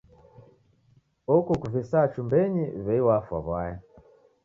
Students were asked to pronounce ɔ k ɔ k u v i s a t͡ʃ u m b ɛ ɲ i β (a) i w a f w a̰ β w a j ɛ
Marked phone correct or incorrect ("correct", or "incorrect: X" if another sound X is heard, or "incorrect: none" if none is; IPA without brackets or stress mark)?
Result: incorrect: ɛ